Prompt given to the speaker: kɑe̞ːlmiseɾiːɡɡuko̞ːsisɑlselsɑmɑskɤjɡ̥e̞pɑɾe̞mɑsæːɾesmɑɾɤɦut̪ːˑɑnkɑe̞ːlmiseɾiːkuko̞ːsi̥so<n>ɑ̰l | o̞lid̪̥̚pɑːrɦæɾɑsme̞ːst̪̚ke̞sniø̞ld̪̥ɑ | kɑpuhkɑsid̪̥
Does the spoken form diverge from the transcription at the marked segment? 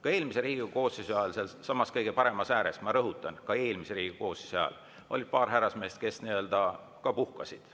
yes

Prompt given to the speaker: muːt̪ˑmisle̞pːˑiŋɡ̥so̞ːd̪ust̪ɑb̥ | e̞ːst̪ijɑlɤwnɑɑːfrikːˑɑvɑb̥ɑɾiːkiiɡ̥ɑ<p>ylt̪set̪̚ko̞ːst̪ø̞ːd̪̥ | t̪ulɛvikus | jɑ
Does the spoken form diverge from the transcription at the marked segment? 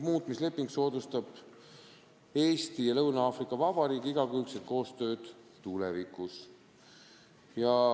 yes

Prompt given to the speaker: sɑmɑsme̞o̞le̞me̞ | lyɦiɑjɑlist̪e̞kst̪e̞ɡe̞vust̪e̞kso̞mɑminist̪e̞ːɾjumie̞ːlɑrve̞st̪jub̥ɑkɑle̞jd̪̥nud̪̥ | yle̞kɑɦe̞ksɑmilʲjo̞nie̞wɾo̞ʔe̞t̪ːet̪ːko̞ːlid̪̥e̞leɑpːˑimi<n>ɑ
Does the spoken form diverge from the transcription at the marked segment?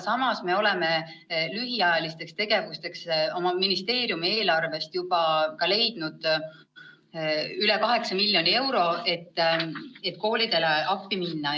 yes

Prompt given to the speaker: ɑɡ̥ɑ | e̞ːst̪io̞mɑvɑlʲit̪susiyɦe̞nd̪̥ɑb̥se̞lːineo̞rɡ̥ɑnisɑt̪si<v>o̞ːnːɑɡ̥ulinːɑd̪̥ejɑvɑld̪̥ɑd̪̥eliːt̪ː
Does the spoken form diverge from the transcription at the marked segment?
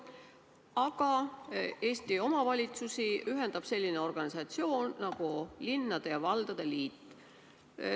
yes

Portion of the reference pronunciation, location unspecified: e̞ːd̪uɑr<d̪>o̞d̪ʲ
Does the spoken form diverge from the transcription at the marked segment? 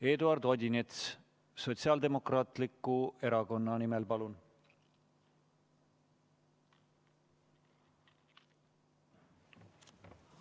no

